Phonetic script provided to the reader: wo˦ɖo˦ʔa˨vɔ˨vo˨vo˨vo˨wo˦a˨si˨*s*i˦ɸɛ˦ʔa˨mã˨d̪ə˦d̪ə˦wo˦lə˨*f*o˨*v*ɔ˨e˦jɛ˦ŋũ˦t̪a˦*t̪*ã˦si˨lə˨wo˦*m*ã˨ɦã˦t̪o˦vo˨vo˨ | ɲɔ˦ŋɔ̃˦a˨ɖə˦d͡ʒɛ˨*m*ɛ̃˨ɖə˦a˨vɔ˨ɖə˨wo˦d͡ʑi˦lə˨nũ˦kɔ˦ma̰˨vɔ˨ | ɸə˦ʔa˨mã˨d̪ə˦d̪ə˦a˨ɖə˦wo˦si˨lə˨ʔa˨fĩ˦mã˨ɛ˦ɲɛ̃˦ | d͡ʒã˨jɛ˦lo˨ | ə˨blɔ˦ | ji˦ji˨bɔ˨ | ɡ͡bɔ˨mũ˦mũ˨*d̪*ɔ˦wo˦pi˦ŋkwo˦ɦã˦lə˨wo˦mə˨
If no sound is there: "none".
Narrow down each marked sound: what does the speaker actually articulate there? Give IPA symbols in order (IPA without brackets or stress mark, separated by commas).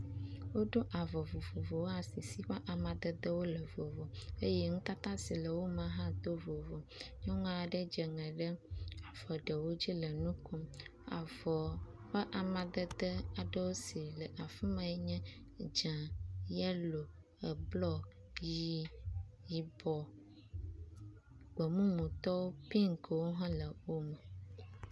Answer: s, v, v, t̪, m, ŋ, t̪